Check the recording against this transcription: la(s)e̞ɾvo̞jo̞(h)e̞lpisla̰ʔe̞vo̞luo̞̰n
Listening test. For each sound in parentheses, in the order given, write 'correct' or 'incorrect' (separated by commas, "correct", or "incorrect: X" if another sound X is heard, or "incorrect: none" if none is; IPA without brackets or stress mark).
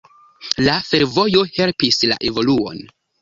incorrect: f, correct